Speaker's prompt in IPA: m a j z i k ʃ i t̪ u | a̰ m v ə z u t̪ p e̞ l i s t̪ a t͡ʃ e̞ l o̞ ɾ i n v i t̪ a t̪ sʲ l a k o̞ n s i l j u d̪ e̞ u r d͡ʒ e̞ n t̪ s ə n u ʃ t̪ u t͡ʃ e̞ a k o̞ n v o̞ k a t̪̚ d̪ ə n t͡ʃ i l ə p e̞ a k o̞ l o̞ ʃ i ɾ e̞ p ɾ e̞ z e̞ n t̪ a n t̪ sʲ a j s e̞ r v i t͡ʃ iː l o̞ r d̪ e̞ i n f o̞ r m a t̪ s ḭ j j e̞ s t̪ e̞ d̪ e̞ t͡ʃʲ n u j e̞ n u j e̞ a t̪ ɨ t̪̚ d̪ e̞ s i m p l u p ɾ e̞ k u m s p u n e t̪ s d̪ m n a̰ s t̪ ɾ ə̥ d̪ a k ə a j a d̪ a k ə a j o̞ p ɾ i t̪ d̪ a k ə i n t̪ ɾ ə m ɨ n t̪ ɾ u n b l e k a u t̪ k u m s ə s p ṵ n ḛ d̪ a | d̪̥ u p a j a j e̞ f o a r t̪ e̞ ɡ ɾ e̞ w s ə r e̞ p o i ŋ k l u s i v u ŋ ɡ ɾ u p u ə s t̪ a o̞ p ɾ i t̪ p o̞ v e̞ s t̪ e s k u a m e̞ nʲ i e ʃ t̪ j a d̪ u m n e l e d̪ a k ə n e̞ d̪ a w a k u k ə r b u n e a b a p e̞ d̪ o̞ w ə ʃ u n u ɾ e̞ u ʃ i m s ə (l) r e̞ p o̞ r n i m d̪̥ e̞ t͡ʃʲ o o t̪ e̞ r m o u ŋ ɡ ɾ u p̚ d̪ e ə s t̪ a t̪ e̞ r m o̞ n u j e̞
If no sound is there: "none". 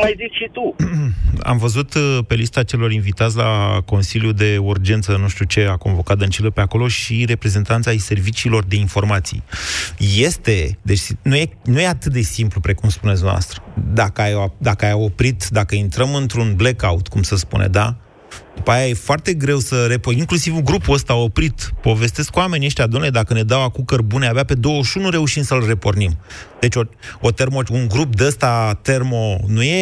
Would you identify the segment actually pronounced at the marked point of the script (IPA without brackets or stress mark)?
l